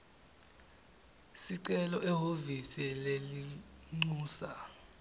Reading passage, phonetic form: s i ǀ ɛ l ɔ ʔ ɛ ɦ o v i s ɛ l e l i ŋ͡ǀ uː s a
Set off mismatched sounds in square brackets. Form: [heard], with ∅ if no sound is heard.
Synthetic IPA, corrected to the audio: s i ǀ ɛ l ɔ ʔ ɛ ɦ o v i s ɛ l e l i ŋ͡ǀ uː s a